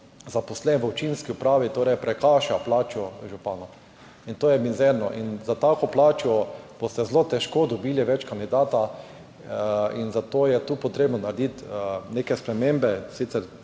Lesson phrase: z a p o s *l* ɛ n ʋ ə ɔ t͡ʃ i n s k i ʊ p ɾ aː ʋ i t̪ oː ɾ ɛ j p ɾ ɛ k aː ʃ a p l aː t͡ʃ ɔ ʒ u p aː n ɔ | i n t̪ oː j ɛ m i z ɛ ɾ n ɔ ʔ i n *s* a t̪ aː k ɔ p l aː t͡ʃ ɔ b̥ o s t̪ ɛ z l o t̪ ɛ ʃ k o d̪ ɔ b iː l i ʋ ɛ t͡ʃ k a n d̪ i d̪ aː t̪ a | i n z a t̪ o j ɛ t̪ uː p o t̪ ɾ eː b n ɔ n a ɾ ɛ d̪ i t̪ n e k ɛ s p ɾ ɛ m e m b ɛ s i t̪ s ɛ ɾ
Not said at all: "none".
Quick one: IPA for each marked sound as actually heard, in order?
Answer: l, z

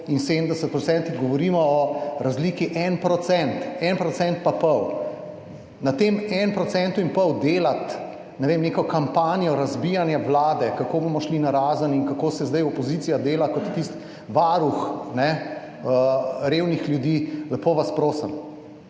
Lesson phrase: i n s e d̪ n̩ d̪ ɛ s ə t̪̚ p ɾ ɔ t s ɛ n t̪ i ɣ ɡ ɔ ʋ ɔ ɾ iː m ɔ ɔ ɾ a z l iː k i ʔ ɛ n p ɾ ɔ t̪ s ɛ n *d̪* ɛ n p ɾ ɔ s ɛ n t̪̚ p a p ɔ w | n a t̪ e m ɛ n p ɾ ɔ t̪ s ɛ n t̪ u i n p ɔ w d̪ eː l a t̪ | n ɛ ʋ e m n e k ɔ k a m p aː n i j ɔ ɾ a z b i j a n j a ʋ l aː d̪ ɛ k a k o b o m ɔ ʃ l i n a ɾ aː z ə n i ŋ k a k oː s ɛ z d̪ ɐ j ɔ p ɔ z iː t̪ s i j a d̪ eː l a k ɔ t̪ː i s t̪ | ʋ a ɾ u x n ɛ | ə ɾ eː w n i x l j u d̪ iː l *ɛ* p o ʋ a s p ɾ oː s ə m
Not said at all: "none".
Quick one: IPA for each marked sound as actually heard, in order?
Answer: t̪, ɛ

